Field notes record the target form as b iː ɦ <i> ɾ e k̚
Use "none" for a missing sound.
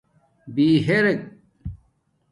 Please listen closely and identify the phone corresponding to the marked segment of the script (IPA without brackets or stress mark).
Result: e